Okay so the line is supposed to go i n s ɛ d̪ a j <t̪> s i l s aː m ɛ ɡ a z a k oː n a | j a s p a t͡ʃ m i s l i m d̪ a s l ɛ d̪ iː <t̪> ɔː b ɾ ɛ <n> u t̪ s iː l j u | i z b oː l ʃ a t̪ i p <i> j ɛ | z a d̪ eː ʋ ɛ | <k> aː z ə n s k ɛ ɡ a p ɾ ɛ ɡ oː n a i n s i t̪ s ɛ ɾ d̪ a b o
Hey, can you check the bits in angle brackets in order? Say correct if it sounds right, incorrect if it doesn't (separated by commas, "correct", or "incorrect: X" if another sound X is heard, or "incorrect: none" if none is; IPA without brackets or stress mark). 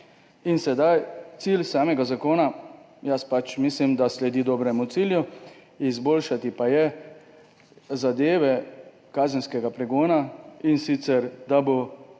correct, incorrect: d̪, incorrect: m, incorrect: a, correct